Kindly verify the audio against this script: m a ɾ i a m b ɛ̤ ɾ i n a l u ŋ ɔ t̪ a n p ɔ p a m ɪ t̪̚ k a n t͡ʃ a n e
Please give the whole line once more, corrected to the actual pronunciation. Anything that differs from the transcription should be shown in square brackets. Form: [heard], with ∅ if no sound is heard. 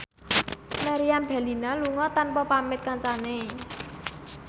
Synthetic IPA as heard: m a ɾ i a m b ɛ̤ [l] i n a l u ŋ ɔ t̪ a n p ɔ p a m ɪ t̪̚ k a n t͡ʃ a n e